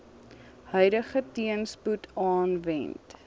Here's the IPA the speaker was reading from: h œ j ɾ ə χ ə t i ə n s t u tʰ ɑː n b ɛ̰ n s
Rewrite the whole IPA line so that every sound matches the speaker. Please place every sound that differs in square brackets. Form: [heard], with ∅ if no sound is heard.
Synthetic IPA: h œ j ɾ ə χ ə t i ə n s [p] u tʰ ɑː n [v] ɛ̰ n [t]